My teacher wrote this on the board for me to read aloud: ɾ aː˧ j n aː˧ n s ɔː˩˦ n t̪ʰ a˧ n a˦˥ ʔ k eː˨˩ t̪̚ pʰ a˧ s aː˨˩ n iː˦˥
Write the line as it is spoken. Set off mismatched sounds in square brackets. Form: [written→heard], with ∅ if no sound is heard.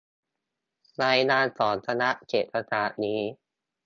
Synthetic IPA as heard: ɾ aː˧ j n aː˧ n s ɔː˩˦ n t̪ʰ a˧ n a˦˥ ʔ k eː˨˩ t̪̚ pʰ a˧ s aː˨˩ n iː˦˥